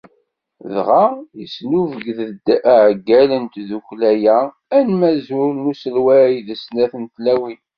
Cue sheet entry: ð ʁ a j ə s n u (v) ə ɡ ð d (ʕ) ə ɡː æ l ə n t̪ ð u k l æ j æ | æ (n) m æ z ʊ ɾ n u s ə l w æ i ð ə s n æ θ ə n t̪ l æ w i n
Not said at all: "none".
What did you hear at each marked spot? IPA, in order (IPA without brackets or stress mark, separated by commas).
v, ʕ, n